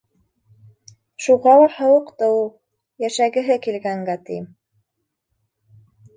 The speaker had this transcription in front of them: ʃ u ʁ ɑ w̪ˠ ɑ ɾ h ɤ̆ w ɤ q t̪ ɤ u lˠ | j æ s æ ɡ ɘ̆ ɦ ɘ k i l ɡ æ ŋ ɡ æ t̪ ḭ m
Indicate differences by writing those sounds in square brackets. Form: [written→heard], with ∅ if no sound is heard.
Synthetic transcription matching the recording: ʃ u ʁ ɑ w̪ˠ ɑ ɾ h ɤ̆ w ɤ q t̪ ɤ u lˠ | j æ [s→ʃ] æ ɡ ɘ̆ ɦ ɘ k i l ɡ æ ŋ ɡ æ t̪ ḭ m